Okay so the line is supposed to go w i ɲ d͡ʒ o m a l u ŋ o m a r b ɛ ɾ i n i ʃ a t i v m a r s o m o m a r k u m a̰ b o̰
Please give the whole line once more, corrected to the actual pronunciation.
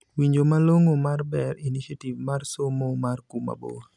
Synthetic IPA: w i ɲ d͡ʒ o m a l o ŋ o m a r b ɛ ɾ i n i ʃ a t i v m a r s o m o m a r k u m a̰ b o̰